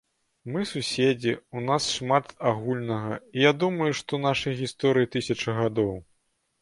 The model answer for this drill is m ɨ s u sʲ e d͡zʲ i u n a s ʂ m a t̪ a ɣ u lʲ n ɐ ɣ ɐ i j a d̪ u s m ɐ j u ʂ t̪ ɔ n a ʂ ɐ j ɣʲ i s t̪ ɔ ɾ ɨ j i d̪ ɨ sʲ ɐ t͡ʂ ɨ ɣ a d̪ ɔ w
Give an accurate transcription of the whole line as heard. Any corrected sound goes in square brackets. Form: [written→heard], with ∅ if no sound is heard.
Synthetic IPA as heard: m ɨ s u sʲ e d͡zʲ i u n a s ʂ m a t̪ a ɣ u lʲ n ɐ ɣ ɐ i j a d̪ u [s→∅] m ɐ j u ʂ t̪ ɔ n a ʂ ɐ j ɣʲ i s t̪ ɔ ɾ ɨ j i [d̪→t̪] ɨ sʲ ɐ t͡ʂ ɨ ɣ a d̪ ɔ w